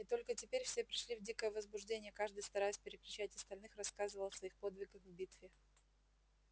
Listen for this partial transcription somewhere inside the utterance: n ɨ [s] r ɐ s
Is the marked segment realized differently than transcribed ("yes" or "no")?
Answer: yes